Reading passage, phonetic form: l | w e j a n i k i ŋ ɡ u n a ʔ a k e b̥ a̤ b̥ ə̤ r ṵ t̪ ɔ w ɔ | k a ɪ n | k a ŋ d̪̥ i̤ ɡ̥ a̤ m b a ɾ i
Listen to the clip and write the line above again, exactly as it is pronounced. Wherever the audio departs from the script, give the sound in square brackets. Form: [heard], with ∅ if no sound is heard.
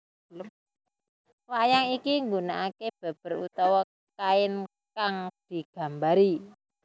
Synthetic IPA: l | w [a] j a [ŋ] i k i ŋ ɡ u n a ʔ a k e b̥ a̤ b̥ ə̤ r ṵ t̪ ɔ w ɔ | k a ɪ n | k a ŋ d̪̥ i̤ ɡ̥ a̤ m b a ɾ i